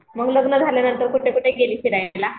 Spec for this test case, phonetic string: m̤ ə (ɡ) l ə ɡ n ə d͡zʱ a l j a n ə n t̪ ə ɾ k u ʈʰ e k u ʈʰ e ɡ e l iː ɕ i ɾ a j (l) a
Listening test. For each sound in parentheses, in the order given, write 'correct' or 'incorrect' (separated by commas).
correct, correct